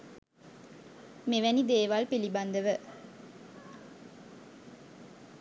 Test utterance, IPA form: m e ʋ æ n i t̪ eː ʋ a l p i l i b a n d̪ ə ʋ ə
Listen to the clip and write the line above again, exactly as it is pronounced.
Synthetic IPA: m e ʋ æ n i d̪ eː ʋ a l p i l i b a n d̪ ə ʋ ə

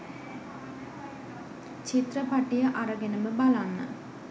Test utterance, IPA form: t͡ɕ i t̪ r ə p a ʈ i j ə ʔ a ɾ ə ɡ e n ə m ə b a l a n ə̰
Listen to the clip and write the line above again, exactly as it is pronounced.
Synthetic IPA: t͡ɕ i t̪ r ə p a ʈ i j ə ʔ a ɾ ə ɡ e n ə m ə b a l a nː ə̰

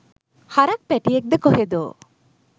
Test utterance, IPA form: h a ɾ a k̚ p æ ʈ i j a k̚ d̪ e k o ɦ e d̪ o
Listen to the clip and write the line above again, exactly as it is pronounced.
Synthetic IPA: h a ɾ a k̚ p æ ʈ i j e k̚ d̪ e k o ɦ e d̪ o

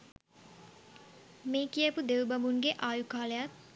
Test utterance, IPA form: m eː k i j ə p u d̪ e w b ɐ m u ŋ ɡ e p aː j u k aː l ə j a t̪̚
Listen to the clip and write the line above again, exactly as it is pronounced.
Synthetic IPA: m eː k i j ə p u d̪ e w b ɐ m u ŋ ɡ e ʔ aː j u k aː l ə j a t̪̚

